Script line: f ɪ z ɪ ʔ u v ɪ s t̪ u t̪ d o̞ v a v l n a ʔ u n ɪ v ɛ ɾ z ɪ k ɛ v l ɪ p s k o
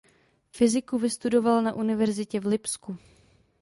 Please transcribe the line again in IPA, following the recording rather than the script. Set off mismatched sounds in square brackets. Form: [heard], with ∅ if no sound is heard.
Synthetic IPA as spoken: f ɪ z ɪ [k] u v ɪ s t̪ u [∅] d o̞ v a [∅] l n a ʔ u n ɪ v ɛ ɾ z ɪ [c] ɛ v l ɪ p s k [u]

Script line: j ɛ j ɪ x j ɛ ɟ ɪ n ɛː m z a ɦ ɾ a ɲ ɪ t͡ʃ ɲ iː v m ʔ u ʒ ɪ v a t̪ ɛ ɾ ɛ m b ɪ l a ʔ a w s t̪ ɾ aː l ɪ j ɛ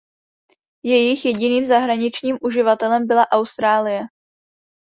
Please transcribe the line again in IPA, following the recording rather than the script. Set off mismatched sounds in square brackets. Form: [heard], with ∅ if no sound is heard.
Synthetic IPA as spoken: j ɛ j ɪ x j ɛ ɟ ɪ n [iː] m z a ɦ ɾ a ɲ ɪ t͡ʃ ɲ iː [∅] m ʔ u ʒ ɪ v a t̪ ɛ [l] ɛ m b ɪ l a ʔ a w s t̪ ɾ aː l ɪ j ɛ

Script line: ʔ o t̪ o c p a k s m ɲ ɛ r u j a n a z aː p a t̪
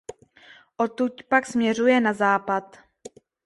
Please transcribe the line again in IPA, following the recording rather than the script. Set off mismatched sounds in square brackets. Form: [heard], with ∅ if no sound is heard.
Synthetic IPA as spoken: ʔ o t̪ [u] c p a k s m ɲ ɛ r u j [ɛ] n a z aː p a t̪

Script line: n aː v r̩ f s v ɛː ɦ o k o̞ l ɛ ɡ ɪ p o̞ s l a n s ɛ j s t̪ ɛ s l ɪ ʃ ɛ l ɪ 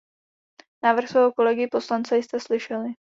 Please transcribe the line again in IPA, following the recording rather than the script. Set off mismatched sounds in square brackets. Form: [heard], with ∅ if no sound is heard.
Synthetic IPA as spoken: n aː v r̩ [x] s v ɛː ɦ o k o̞ l ɛ ɡ ɪ p o̞ s l a n [t͡s] ɛ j s t̪ ɛ s l ɪ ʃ ɛ l ɪ

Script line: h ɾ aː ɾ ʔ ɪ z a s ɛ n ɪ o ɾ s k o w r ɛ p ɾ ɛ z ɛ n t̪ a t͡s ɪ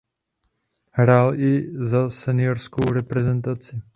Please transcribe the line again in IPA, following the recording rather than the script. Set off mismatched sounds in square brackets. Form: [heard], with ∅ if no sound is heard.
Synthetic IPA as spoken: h ɾ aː [l] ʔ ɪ z a s ɛ n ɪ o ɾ s k o w [ɾ] ɛ p ɾ ɛ z ɛ n t̪ a t͡s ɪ

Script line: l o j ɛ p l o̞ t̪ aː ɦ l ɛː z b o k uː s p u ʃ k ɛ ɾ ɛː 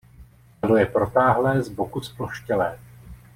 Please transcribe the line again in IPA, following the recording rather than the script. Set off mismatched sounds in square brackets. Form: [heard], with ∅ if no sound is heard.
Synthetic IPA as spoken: l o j ɛ p [ɾ] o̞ t̪ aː ɦ l ɛː z b o k [u] s p [o] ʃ [c] ɛ [l] ɛː

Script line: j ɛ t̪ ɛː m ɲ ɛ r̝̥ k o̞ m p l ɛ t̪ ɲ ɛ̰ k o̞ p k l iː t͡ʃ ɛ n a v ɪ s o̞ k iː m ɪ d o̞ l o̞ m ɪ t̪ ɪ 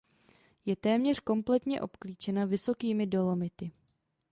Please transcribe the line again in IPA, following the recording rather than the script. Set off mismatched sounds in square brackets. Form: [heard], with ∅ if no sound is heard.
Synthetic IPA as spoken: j ɛ t̪ ɛː m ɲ ɛ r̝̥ k o̞ m p l ɛ t̪ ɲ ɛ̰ [ʔ] o̞ p k l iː t͡ʃ ɛ n a v ɪ s o̞ k iː m ɪ d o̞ l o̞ m ɪ t̪ ɪ

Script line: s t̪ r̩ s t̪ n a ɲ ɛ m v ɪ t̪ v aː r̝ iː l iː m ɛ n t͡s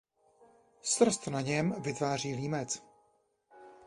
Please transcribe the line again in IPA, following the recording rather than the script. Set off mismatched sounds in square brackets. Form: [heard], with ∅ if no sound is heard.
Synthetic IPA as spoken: s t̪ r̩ s t̪ n a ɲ ɛ m v ɪ t̪ v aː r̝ iː l iː m ɛ [∅] t͡s

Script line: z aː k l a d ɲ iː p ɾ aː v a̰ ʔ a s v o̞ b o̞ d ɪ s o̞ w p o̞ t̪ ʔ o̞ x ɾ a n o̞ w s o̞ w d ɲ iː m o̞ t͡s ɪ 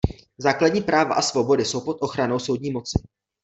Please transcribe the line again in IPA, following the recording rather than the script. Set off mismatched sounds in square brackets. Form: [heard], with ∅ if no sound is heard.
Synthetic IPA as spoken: z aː k l a d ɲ iː p ɾ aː v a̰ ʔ a s v o̞ b o̞ d ɪ s o̞ w p o̞ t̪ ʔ o̞ x ɾ a n o̞ w s o̞ w d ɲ iː m o̞ t͡s ɪ

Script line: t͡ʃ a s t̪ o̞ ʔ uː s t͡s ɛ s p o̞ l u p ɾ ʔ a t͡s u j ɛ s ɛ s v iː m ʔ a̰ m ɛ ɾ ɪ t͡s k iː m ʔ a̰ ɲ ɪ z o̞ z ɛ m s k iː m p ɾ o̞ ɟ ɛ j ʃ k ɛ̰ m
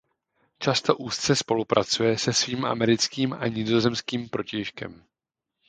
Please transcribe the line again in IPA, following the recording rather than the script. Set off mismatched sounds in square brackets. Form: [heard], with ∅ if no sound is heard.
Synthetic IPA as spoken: t͡ʃ a s t̪ o̞ ʔ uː s t͡s ɛ s p o̞ l u p ɾ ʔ a t͡s u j ɛ s ɛ s v iː m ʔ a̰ m ɛ ɾ ɪ t͡s k iː m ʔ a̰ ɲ ɪ z o̞ z ɛ m s k iː m p ɾ o̞ [c] ɛ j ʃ k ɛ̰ m

